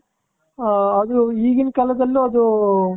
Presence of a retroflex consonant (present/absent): absent